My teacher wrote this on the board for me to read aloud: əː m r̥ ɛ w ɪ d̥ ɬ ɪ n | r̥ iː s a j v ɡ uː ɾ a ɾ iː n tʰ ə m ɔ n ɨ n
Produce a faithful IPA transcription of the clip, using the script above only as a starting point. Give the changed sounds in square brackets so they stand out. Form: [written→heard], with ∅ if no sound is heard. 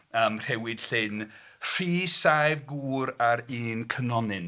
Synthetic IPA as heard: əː m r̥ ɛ w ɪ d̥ ɬ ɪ n | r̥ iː s a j v ɡ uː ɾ a ɾ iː n [tʰ→kʰ] ə [m→n] ɔ n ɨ n

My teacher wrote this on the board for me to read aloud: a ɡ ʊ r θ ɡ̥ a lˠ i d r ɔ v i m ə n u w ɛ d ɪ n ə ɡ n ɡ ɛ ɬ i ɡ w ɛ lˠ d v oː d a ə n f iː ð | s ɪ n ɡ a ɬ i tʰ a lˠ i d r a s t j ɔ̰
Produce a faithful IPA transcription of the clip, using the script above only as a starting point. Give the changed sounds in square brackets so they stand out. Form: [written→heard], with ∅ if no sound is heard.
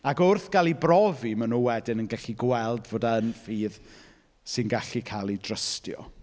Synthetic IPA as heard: a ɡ ʊ r θ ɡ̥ a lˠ i [d→b] r ɔ v i m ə n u w ɛ d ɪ n ə [ɡ→∅] n ɡ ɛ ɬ i ɡ w ɛ lˠ d v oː d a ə n f iː ð | s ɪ n ɡ a ɬ i [tʰ→kʰ] a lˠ i d r [a→ə] s t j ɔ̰

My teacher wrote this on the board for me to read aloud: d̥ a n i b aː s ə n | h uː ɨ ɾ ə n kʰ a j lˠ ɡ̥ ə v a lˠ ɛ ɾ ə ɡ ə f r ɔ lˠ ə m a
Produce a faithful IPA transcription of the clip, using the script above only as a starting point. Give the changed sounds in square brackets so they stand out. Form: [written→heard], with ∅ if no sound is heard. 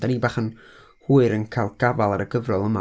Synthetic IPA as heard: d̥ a n i b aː [s→χ] ə n | h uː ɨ ɾ ə n kʰ a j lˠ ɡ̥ [ə→a] v a lˠ [ɛ→a] ɾ ə ɡ ə [f→v] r ɔ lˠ ə m a

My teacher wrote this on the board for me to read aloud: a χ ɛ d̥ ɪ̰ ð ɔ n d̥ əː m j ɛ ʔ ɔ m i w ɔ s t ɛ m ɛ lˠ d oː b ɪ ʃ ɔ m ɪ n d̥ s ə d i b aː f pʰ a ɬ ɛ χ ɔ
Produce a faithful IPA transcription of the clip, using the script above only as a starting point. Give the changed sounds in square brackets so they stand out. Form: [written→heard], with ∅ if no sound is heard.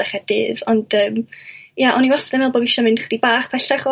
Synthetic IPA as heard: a χ ɛ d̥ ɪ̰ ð ɔ n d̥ əː m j [ɛ→a] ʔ ɔ [m→n] i w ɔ s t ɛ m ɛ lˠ [d→b] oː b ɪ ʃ ɔ m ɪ n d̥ [s→χ] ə d i b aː [f→χ] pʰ [a→ɛ] ɬ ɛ χ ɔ

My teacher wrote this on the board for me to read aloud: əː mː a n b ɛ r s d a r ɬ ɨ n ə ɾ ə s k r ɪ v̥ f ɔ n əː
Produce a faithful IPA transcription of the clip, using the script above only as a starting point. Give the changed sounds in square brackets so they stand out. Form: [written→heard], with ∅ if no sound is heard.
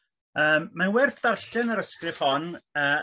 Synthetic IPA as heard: əː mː a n [b→w] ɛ r [s→θ] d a r ɬ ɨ n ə ɾ ə s k r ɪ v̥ [f→h] ɔ n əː

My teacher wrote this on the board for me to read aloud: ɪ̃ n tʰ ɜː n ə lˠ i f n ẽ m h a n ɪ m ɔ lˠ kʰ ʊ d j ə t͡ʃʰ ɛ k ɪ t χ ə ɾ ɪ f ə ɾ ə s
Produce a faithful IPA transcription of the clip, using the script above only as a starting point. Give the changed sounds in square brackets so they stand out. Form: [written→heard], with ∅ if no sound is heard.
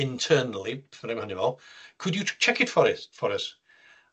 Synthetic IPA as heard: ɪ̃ n tʰ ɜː n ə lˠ i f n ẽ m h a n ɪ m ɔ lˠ kʰ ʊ d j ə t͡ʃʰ ɛ k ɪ t [χ→f] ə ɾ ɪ f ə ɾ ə s

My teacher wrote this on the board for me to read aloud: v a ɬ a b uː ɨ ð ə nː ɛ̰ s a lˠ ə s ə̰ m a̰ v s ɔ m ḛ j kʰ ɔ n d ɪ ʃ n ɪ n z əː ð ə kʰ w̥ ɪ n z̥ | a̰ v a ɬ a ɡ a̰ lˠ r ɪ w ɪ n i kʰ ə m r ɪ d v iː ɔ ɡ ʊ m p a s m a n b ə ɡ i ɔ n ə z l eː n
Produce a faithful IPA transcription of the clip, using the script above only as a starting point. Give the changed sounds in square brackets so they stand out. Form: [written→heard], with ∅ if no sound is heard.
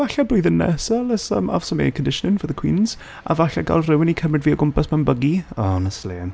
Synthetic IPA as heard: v a ɬ a b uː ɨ ð ə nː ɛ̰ s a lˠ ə s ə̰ m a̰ v s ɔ m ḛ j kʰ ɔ n d ɪ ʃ n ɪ n [z→v] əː ð ə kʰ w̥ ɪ n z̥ | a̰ v a ɬ a ɡ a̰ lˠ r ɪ w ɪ n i kʰ ə m r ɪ d v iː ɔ ɡ ʊ m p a s m a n b ə ɡ i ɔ n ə [z→s] l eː n

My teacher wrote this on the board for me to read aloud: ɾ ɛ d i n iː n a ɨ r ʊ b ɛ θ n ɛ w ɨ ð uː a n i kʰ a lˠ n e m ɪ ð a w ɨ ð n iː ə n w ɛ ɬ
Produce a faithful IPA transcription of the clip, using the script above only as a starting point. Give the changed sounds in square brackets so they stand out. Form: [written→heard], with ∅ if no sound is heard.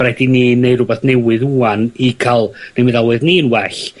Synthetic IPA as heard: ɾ ɛ d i n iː n [a→e] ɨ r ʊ b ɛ θ n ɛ w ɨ ð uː a n i kʰ a lˠ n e m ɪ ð a w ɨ ð n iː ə n w ɛ ɬ

